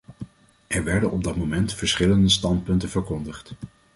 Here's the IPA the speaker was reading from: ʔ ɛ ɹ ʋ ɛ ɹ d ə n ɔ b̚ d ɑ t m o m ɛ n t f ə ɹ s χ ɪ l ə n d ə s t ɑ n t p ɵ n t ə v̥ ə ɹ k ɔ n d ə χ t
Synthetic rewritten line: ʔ ɛ ɹ ʋ ɛ ɹ d ə n ɔ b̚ d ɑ t m o m ɛ n t f ə ɹ s χ ɪ l ə n d ə s t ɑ n t p ɵ n t ə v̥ ə ɹ k ɔ n d ə χ t